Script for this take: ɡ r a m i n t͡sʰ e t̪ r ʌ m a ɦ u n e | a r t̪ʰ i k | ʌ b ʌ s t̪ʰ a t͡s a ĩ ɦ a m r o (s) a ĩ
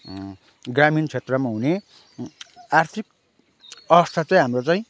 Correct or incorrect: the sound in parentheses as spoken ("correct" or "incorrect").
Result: incorrect